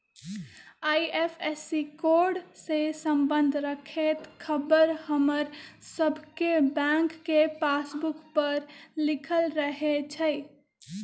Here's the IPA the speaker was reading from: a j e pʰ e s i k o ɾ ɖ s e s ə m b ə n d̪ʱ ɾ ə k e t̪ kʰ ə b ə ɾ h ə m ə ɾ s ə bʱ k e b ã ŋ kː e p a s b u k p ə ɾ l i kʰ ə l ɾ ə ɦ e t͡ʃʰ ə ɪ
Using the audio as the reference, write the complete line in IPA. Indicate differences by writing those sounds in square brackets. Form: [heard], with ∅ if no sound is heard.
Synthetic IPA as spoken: a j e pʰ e s i k o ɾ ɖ s e s ə m b ə n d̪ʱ ɾ ə [kʰ] e t̪ kʰ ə b ə ɾ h ə m ə ɾ s ə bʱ k e b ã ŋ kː e p a s b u k p ə ɾ l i kʰ ə l ɾ ə ɦ e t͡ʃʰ ə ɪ